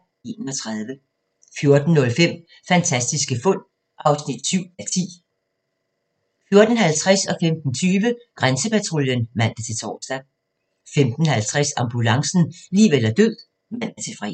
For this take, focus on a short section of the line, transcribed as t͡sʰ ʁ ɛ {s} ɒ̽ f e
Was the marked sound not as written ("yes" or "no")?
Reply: no